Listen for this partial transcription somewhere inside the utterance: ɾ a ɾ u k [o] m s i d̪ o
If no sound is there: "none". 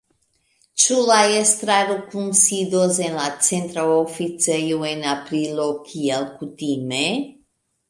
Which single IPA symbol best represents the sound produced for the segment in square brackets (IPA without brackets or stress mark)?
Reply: u